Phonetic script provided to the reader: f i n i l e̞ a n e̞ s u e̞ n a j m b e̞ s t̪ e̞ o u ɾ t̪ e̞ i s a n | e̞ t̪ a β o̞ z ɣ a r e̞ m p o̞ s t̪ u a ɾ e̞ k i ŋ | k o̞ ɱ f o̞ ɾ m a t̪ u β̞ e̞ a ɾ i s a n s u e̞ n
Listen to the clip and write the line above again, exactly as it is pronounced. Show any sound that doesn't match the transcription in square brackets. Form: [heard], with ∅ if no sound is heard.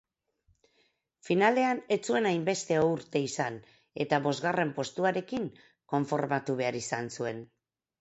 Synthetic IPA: f i n [a] l e̞ a n e̞ [t͡s] u e̞ n a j m b e̞ s t̪ e̞ o u ɾ t̪ e̞ i s a n | e̞ t̪ a β o̞ z ɣ a r e̞ m p o̞ s t̪ u a ɾ e̞ k i ŋ | k o̞ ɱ f o̞ ɾ m a t̪ u β̞ e̞ a ɾ i s a n s u e̞ n